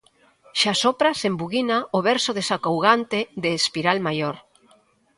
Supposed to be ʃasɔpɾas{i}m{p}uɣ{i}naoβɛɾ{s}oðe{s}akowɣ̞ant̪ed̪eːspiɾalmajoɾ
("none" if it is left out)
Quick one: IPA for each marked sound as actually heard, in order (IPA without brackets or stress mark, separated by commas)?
e, b, i, s, s